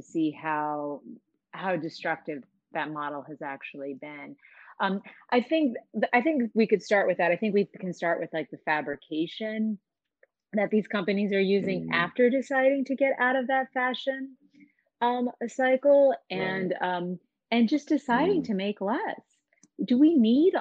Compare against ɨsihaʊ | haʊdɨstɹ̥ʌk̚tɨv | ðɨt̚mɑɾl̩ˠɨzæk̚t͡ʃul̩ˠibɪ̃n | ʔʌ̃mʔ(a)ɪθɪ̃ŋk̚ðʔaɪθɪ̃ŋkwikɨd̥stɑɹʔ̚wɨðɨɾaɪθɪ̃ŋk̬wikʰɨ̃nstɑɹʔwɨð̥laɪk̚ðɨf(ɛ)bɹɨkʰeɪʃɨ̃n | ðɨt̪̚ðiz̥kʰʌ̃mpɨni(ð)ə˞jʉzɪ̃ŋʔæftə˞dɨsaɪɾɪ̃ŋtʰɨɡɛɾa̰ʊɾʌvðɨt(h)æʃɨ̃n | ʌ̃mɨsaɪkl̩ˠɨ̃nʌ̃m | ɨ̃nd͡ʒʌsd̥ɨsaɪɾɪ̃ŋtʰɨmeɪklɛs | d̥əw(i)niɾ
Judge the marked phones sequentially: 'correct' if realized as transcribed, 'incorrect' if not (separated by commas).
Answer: correct, incorrect, incorrect, incorrect, correct